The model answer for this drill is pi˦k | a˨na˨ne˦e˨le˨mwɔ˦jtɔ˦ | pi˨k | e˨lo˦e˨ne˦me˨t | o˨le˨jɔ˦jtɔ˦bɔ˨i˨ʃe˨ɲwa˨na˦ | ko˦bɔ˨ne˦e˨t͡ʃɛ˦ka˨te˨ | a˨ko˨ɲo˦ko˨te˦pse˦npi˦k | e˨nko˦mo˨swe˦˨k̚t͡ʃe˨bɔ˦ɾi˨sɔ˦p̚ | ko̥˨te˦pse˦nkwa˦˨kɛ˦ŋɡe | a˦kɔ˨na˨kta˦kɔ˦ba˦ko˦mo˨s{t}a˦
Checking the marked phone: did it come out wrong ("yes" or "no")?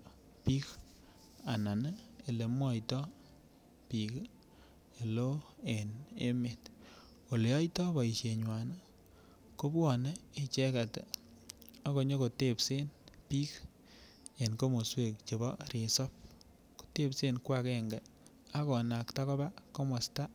no